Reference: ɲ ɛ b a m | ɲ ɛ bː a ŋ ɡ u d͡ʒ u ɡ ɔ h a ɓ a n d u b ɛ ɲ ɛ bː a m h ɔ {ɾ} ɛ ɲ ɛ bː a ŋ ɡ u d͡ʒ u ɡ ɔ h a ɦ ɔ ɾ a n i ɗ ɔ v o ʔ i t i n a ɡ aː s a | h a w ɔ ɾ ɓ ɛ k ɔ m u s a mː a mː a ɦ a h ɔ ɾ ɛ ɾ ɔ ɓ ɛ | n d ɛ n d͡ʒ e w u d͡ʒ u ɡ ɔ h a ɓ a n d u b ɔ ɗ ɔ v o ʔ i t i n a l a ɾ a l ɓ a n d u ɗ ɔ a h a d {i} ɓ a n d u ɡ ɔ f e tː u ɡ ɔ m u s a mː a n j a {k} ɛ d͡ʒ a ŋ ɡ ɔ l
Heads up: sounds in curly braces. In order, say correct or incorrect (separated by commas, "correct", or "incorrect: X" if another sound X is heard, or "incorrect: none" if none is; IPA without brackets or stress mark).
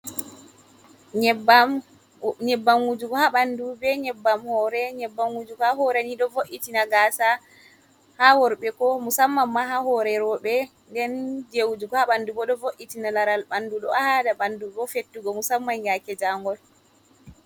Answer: correct, incorrect: a, correct